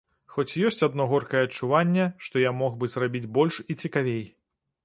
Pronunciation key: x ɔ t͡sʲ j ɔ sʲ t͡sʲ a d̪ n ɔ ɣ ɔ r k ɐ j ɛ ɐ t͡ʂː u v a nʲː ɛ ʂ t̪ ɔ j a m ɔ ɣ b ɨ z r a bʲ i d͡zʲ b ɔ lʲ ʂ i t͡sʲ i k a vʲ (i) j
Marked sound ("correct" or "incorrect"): incorrect